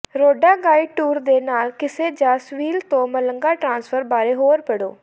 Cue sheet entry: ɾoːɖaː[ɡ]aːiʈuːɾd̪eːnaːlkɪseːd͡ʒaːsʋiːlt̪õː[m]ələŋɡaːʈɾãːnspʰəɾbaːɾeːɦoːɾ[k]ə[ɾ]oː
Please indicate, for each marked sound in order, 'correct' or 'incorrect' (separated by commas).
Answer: correct, correct, incorrect, incorrect